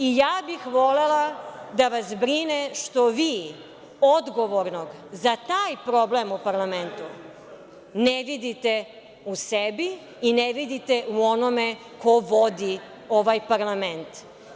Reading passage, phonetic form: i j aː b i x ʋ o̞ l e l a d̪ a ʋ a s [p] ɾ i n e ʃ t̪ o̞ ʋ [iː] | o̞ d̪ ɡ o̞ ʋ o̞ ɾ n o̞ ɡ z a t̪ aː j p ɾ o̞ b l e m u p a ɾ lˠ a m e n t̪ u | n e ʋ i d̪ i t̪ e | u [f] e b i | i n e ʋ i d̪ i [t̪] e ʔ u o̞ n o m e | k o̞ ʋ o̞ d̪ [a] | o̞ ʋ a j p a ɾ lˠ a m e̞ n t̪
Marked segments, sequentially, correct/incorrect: incorrect: b, correct, incorrect: s, correct, incorrect: i

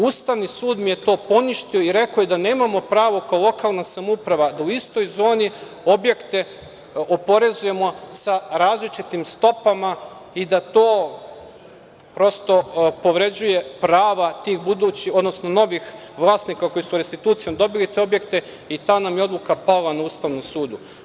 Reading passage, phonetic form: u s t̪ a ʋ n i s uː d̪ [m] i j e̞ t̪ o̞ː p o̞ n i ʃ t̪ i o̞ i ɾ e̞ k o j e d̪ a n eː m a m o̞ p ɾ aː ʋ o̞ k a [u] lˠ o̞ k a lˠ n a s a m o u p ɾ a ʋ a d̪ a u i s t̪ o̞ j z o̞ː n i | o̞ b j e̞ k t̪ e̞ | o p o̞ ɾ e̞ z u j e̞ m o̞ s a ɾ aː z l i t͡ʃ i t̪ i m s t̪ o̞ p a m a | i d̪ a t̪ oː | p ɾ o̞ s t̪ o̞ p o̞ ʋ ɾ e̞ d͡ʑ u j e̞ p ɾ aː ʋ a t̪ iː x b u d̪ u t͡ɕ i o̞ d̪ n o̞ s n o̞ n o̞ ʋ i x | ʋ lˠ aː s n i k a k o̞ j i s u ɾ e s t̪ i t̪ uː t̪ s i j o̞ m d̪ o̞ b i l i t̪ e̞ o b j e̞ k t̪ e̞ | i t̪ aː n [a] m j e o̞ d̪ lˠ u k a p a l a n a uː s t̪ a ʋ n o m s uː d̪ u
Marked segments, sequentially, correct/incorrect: correct, incorrect: o, correct

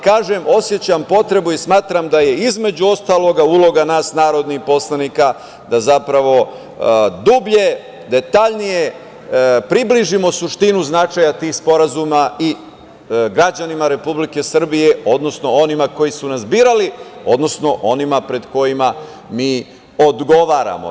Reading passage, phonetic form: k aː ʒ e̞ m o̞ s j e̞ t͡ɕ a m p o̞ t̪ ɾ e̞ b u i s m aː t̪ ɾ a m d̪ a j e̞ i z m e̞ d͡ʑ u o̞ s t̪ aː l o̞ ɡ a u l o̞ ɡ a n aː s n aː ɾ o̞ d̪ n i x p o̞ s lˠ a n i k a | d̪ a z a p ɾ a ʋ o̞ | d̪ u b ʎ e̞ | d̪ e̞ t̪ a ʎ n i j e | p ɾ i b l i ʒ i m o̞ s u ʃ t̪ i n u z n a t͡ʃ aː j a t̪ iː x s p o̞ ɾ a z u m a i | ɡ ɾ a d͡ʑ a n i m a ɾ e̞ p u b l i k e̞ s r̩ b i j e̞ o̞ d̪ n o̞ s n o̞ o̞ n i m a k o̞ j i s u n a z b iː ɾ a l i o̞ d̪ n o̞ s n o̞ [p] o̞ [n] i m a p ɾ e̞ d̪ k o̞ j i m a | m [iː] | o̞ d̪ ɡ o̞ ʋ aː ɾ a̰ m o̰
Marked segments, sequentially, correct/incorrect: incorrect: ʔ, correct, correct

